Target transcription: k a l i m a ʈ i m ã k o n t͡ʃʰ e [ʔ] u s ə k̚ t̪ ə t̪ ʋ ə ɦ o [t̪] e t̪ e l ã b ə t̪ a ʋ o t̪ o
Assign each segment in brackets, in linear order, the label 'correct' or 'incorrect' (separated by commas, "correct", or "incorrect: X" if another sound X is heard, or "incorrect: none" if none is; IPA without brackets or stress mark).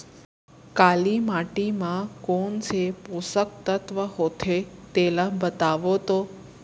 incorrect: p, incorrect: t̪ʰ